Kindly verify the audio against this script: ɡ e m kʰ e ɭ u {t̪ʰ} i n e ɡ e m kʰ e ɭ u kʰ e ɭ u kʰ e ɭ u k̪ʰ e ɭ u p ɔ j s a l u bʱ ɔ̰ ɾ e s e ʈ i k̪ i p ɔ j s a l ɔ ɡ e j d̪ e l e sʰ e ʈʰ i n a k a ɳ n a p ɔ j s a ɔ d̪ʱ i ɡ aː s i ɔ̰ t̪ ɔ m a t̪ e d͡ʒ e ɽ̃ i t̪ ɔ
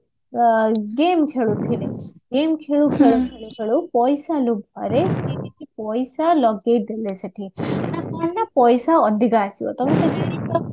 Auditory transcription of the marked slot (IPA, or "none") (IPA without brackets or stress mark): t̪ʰ